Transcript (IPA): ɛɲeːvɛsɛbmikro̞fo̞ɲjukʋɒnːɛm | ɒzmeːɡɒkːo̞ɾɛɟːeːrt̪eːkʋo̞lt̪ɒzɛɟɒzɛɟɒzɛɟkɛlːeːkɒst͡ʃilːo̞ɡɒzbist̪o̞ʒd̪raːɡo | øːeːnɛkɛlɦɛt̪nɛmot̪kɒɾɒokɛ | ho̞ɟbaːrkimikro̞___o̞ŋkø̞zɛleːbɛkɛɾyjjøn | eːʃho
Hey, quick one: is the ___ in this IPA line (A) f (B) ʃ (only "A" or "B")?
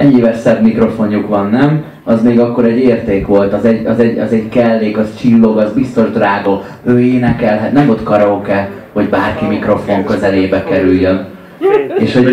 A